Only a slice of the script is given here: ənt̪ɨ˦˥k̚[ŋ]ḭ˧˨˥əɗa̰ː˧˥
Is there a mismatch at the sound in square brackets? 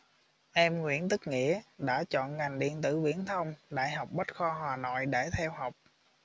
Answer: no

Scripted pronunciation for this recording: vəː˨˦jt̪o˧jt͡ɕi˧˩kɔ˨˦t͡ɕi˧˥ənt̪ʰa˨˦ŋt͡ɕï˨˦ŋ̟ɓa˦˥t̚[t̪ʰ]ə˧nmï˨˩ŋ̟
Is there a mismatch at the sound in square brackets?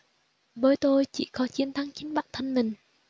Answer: no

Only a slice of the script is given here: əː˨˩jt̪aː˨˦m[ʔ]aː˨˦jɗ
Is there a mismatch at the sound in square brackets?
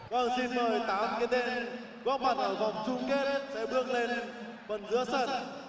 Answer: yes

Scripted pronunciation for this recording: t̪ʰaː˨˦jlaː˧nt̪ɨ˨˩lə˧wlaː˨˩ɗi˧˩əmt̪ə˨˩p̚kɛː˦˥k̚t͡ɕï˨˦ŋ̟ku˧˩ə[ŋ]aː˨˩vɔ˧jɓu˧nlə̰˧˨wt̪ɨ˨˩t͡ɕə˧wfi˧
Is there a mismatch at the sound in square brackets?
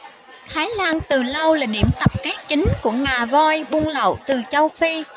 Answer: no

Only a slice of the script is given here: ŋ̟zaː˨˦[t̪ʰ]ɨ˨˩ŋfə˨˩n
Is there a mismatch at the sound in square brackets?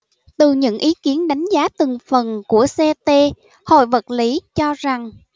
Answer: yes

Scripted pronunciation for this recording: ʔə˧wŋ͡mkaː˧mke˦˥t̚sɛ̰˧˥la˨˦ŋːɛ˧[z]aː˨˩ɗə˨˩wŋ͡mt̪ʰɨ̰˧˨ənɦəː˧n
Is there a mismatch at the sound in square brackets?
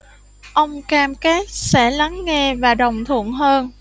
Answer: yes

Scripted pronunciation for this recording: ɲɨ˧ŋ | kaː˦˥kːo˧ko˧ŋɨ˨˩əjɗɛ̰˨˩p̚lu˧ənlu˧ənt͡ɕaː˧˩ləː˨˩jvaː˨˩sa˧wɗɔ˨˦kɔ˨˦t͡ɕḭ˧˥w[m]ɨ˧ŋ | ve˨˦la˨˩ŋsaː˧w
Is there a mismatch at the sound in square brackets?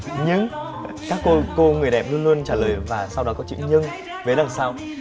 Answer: yes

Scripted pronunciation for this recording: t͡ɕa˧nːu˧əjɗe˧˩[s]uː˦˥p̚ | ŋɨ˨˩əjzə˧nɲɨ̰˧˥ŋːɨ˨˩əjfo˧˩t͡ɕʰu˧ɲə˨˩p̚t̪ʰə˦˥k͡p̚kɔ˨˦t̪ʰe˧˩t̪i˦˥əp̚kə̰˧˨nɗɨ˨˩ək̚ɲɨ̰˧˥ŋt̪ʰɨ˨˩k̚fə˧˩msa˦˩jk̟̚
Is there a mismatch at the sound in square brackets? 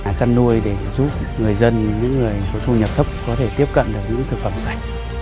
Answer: yes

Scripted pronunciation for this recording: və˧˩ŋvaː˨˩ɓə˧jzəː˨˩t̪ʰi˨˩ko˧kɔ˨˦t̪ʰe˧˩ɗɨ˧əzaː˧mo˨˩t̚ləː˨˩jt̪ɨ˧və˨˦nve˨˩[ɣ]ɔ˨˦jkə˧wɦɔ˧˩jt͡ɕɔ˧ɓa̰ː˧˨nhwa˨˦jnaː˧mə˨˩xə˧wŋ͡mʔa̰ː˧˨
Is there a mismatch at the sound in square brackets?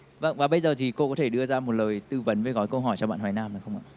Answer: no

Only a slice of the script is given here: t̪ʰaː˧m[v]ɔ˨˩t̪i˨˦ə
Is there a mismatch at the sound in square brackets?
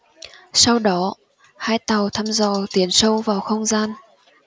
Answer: yes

